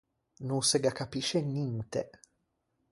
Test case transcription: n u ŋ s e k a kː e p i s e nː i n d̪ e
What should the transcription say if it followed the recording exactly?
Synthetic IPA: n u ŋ s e ɡ a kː a p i ʃ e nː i n t̪ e